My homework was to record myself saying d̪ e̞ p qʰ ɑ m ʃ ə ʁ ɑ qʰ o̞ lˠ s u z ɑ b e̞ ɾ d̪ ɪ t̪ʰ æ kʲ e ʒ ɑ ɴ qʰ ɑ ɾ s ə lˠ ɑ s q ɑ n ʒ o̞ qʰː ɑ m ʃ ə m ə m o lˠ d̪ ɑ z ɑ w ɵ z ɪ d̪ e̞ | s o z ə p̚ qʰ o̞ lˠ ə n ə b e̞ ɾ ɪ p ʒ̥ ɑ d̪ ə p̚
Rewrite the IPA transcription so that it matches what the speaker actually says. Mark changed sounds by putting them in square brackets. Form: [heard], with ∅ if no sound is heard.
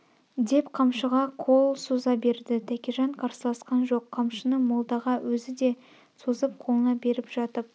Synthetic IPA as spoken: d̪ e̞ p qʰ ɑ m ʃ ə ʁ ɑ qʰ o̞ lˠ s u z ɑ b e̞ ɾ d̪ ɪ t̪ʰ æ kʲ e ʒ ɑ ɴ qʰ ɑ ɾ s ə lˠ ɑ s q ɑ n ʒ o̞ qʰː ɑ m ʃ ə [n] ə m o lˠ d̪ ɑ [ʁ] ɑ w ɵ z ɪ d̪ e̞ | s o z ə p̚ qʰ o̞ lˠ ə n [ɑ] b e̞ ɾ ɪ p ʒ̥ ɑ [t̪] ə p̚